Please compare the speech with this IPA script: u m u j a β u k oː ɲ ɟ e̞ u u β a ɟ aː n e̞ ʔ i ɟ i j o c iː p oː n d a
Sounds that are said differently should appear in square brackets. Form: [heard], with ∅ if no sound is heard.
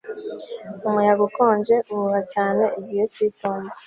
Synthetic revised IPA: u m u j a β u k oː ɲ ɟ e̞ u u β a [c] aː n e̞ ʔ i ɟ i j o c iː [t] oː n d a